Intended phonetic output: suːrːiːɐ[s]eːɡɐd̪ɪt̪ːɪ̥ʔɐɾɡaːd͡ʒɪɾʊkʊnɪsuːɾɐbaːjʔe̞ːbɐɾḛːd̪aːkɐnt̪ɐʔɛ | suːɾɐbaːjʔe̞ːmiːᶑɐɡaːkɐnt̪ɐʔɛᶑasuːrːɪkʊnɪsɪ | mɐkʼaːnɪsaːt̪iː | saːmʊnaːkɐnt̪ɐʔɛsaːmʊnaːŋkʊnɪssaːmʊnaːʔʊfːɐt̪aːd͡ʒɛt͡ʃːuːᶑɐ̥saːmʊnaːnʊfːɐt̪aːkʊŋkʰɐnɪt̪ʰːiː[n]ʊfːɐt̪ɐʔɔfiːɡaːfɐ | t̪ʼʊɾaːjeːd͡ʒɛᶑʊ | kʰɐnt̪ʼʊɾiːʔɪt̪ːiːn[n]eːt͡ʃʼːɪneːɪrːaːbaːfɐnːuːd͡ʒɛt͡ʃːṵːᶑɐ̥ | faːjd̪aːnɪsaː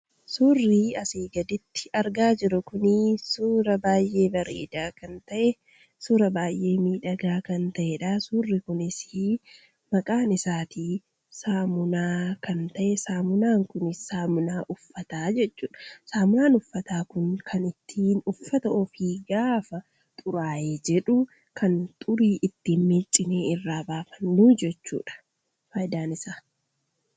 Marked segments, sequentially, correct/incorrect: correct, correct, incorrect

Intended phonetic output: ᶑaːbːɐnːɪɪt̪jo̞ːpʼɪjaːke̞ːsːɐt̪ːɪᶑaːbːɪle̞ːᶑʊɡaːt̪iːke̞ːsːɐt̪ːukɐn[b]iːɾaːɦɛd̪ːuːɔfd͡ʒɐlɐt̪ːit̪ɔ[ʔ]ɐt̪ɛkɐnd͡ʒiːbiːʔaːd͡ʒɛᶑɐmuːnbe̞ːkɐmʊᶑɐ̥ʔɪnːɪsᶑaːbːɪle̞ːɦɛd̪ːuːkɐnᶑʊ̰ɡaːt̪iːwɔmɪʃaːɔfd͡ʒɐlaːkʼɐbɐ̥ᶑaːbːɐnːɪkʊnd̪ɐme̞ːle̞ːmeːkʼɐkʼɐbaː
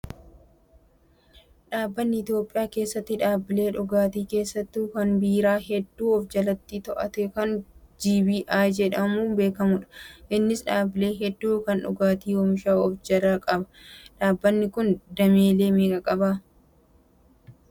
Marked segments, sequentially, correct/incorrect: correct, correct

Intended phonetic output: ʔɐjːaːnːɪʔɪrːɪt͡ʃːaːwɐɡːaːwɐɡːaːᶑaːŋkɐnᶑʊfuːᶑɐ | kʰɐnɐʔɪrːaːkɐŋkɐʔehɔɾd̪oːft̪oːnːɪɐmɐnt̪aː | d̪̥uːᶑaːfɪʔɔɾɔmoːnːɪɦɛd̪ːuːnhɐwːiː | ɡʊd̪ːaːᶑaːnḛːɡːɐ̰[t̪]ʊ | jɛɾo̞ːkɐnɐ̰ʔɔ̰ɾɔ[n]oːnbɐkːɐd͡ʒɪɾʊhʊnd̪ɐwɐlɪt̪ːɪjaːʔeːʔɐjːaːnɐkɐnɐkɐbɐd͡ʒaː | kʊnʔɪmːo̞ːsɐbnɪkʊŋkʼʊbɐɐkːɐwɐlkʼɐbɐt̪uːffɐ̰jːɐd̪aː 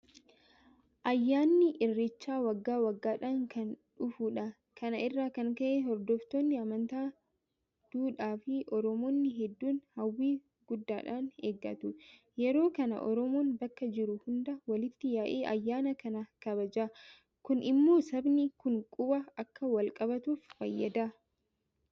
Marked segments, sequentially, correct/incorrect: correct, incorrect

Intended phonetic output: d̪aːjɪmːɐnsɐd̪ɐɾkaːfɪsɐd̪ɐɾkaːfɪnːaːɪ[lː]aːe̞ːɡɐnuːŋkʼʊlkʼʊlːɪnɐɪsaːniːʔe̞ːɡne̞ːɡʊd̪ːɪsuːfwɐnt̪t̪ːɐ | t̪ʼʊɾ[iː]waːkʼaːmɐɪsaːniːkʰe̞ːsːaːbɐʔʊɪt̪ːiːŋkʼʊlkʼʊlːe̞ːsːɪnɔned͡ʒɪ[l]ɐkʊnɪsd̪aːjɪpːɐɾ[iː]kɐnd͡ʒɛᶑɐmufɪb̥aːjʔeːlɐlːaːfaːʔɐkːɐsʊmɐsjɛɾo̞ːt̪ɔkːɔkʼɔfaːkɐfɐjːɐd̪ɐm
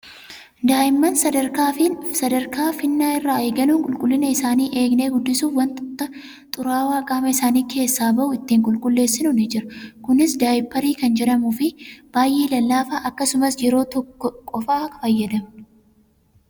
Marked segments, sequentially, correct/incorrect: incorrect, incorrect, incorrect, correct

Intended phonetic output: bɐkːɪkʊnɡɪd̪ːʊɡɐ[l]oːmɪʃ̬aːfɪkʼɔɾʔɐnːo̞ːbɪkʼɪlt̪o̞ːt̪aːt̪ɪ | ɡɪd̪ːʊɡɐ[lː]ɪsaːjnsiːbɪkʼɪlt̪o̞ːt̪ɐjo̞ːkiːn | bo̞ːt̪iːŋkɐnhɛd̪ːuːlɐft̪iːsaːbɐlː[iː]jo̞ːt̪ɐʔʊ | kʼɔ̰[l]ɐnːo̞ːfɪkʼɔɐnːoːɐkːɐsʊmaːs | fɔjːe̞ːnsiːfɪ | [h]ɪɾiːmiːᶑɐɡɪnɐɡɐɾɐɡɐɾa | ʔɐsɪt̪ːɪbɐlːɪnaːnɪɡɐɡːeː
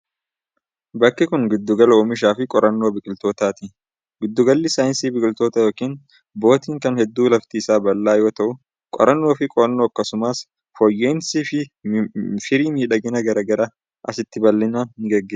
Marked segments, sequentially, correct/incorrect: correct, correct, incorrect, incorrect, incorrect

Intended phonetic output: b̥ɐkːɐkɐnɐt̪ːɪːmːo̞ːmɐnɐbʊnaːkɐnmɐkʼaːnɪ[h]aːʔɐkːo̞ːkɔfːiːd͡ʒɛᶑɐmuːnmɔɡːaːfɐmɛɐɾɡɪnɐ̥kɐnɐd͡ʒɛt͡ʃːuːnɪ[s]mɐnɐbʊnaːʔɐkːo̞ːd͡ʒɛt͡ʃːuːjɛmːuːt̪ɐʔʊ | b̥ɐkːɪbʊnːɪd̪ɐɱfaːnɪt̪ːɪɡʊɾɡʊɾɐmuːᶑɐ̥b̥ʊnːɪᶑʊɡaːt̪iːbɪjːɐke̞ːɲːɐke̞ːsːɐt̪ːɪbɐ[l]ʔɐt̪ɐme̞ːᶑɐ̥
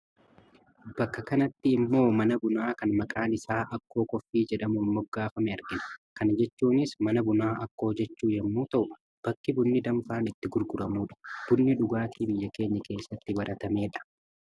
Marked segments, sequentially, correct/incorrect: incorrect, correct, incorrect

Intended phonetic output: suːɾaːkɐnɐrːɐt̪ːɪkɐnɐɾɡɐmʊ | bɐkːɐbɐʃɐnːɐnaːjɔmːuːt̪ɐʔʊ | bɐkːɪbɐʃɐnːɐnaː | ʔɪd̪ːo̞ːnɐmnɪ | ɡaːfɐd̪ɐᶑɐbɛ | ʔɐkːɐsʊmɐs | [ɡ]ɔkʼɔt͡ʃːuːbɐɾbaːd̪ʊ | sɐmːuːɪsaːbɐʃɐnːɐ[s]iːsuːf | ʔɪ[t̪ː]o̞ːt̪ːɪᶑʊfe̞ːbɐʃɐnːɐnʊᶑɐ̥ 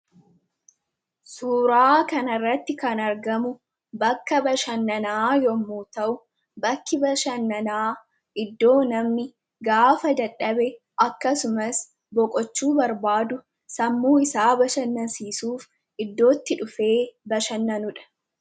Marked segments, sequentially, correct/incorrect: incorrect, correct, incorrect

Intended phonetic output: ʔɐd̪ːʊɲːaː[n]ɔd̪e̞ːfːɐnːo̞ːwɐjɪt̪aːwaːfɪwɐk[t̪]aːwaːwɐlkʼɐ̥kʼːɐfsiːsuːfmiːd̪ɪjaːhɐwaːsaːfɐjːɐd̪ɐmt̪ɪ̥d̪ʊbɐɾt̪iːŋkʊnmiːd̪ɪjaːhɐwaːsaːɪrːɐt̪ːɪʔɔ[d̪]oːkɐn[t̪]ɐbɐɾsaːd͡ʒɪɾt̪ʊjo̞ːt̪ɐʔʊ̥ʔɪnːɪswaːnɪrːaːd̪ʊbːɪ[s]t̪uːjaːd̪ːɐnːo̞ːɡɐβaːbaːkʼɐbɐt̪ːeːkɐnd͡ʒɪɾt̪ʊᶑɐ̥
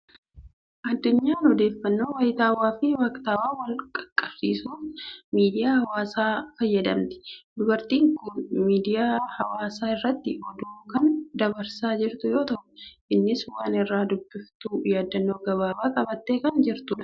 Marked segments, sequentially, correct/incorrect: correct, correct, correct, incorrect, incorrect

